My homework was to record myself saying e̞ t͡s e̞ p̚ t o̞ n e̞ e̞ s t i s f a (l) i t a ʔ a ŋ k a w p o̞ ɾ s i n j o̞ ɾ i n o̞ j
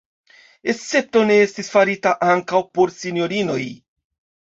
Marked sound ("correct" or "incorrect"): incorrect